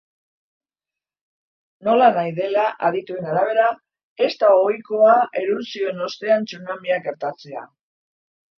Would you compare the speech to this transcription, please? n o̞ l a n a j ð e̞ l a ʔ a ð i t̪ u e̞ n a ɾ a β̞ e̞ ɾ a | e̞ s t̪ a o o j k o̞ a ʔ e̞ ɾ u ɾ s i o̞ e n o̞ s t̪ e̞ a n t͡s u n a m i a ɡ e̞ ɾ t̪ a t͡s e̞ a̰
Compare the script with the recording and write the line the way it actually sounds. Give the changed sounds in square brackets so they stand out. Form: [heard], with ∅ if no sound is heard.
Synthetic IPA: n o̞ l a n a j ð e̞ l a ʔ a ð i t̪ u e̞ n a ɾ a β̞ e̞ ɾ a | e̞ s t̪ a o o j k o̞ a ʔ e̞ ɾ u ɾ s i o̞ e n o̞ s t̪ e̞ a n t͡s u n a m i a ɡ e̞ ɾ t̪ a t͡s e̞ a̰